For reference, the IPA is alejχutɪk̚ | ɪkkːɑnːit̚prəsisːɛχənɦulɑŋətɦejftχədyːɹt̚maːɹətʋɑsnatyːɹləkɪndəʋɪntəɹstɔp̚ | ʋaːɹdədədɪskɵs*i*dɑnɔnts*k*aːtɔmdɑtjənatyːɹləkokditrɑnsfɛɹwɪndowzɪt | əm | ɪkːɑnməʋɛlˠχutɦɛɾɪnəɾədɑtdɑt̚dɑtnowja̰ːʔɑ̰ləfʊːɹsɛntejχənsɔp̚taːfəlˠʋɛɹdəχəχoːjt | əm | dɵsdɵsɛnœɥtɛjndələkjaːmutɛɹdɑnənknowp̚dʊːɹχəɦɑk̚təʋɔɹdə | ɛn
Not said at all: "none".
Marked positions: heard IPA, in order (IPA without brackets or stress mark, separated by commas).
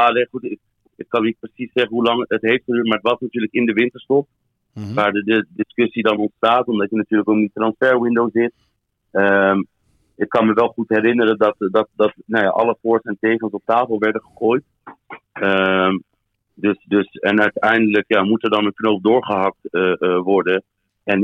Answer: i, t